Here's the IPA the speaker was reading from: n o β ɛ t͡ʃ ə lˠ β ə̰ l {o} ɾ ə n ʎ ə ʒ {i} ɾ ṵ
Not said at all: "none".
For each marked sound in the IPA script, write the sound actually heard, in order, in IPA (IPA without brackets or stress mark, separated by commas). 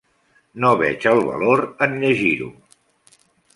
o, i